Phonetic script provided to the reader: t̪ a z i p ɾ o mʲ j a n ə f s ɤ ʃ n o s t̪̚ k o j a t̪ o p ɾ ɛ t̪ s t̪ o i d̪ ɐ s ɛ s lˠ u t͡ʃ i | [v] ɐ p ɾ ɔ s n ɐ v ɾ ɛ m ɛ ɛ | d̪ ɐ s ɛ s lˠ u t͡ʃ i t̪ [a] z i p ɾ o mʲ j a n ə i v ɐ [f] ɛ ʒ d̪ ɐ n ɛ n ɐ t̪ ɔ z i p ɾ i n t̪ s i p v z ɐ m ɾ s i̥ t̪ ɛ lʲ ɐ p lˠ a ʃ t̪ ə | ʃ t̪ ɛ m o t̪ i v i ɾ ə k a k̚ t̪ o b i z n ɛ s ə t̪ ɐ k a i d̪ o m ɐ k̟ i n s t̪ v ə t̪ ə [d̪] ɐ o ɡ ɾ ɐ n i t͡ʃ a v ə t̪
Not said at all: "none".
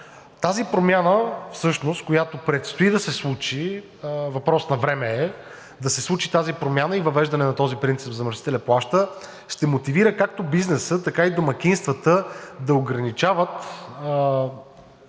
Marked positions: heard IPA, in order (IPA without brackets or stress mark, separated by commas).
v, a, v, d̪